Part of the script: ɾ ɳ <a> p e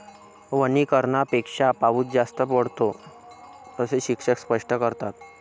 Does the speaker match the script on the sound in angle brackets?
yes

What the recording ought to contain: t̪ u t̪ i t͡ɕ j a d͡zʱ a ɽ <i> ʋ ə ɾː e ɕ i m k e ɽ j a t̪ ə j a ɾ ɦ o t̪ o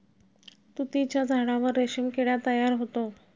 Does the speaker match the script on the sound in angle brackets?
no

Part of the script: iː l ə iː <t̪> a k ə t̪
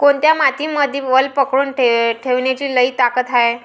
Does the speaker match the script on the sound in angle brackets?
yes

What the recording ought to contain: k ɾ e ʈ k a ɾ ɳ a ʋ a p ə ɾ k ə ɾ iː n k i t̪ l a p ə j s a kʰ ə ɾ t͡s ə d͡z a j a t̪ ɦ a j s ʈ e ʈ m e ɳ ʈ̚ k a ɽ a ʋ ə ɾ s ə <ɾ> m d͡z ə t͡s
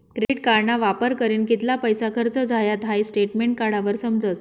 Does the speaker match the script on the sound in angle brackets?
no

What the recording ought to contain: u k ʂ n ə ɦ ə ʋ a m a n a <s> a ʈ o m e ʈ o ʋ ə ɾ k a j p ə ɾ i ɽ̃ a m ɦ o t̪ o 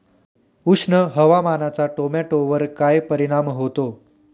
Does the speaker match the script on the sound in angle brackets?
no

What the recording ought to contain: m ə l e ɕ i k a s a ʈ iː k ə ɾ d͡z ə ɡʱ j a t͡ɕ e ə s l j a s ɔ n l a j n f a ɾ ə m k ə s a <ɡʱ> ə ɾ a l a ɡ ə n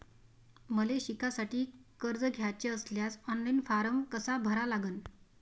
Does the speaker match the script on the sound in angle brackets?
no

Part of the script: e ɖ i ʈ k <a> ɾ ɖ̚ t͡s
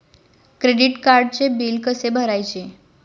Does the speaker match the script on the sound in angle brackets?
yes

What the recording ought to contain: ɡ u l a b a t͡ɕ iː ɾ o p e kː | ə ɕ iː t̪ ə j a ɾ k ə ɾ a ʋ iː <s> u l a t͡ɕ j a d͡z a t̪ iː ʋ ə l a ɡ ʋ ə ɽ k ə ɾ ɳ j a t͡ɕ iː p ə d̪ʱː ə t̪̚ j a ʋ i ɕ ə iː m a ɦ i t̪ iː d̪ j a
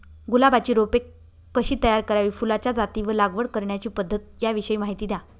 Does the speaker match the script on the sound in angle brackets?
no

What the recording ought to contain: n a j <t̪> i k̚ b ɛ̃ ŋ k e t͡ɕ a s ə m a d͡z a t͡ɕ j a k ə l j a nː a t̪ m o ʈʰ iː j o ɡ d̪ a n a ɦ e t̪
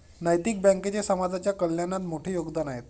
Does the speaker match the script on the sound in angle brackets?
yes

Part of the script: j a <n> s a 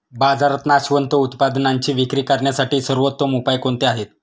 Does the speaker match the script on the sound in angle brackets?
no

